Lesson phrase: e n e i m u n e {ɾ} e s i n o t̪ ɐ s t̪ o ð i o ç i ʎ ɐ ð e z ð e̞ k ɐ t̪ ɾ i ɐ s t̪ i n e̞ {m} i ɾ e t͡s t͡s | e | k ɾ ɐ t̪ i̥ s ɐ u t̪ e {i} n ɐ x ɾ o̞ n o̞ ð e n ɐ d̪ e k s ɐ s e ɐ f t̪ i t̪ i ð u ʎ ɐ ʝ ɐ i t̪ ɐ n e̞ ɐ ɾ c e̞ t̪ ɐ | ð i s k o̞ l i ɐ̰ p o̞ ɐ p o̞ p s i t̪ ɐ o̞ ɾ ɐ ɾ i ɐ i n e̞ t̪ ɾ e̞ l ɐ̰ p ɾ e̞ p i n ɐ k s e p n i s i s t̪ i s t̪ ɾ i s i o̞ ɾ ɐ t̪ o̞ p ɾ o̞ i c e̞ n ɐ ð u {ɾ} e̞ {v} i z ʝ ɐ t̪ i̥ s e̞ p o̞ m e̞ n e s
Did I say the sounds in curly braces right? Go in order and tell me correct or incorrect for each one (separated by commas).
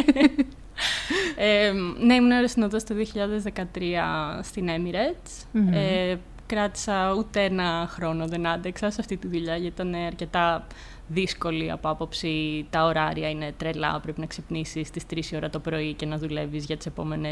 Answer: correct, correct, incorrect, incorrect, correct